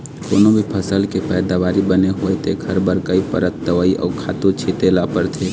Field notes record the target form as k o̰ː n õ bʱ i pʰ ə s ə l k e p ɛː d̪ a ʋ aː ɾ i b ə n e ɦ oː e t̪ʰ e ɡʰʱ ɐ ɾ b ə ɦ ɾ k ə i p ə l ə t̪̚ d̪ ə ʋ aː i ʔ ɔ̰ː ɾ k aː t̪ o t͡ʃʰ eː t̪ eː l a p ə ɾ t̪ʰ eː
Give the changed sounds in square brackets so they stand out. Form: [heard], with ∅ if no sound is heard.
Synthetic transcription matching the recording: k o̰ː n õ bʱ i pʰ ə s ə l k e p ɛː d̪ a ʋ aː ɾ i b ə n e ɦ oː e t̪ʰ e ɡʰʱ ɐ ɾ b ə [∅] ɾ k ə i p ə [ɾ] ə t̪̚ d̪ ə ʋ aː i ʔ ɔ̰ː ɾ [kʰ] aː t̪ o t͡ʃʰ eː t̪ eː l a p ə ɾ t̪ʰ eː